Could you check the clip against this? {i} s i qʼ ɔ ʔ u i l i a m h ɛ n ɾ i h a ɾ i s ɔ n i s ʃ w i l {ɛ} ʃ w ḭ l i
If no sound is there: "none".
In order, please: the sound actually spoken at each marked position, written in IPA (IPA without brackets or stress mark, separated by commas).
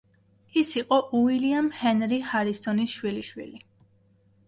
i, i